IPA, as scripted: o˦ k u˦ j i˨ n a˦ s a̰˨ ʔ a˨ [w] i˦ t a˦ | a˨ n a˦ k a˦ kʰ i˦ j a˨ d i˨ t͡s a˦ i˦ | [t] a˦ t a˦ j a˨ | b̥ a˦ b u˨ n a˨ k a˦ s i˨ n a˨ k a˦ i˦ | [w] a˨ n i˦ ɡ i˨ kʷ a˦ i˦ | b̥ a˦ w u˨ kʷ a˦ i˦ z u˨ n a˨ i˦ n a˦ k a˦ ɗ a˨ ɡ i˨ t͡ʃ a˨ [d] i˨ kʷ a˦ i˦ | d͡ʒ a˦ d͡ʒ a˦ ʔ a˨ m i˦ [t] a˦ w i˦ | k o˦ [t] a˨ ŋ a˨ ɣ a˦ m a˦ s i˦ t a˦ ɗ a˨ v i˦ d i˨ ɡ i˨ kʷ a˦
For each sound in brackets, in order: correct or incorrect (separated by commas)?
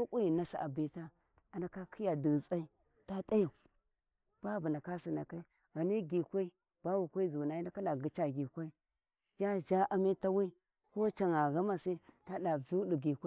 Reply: incorrect, correct, incorrect, incorrect, correct, incorrect